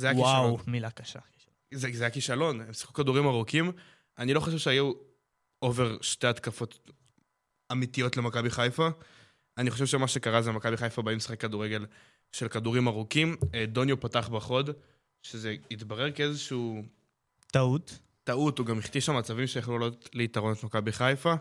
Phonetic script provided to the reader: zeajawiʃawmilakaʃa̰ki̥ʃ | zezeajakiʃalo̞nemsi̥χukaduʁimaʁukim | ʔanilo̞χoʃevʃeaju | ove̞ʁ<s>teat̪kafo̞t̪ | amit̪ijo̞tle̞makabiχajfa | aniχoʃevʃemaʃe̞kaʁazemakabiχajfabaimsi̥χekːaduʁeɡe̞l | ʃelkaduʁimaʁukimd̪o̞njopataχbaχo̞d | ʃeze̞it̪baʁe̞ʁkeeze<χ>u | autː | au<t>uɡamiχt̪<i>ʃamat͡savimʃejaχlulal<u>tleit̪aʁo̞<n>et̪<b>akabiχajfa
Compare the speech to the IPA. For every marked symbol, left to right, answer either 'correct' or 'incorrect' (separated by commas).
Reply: incorrect, incorrect, correct, correct, incorrect, correct, incorrect